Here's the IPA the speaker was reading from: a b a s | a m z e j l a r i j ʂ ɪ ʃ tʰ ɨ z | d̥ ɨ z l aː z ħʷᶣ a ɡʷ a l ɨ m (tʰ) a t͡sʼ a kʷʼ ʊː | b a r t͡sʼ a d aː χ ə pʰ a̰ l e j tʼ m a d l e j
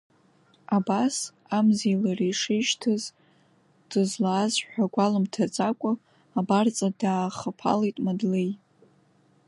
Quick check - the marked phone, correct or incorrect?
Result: correct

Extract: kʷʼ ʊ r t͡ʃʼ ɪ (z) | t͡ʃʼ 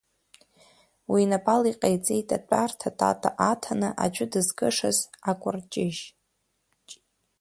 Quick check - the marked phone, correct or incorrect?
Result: incorrect: ʒ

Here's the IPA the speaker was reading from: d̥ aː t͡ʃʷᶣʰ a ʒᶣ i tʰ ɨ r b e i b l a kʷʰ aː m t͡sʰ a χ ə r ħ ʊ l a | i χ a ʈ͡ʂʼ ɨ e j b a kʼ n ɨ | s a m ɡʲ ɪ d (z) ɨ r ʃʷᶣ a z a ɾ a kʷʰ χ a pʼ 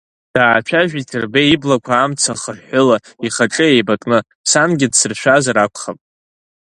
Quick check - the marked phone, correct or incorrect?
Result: incorrect: s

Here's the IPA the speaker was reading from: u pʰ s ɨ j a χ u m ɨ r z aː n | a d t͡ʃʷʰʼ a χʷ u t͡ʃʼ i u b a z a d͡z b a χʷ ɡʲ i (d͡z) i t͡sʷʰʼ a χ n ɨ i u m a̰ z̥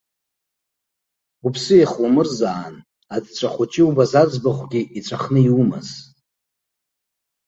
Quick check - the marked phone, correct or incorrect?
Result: incorrect: none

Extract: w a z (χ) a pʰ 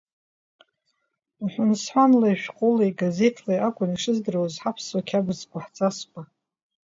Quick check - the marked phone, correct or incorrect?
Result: incorrect: ħ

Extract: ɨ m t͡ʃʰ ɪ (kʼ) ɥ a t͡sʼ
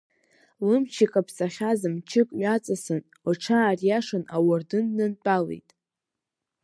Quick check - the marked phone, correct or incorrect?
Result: correct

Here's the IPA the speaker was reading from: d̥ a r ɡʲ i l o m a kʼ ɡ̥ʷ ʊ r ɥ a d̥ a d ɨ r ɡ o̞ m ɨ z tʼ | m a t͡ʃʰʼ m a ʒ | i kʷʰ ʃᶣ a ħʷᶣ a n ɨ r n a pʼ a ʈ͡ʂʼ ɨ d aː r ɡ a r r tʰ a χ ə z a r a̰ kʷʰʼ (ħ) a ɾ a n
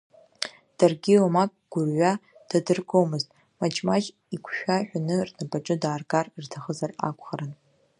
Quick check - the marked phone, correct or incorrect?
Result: incorrect: χ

